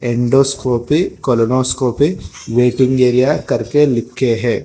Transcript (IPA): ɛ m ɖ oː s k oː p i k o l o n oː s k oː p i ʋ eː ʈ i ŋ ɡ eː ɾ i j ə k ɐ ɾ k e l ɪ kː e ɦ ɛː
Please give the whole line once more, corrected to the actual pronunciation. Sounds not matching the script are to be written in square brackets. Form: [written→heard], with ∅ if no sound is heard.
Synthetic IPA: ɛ [m→ɳ] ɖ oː s k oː p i k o l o n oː s k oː p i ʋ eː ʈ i ŋ ɡ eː ɾ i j [ə→a] k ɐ ɾ k e l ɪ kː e ɦ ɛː